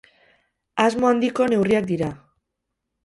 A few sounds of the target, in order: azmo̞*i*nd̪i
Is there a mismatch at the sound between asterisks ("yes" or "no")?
yes